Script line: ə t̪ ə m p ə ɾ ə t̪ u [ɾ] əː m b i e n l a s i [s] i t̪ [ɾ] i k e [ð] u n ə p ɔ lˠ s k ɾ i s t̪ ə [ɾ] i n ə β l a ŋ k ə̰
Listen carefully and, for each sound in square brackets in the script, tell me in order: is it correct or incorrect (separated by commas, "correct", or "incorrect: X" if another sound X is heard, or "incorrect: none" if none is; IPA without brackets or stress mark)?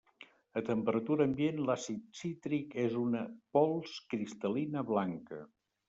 correct, correct, correct, incorrect: z, incorrect: l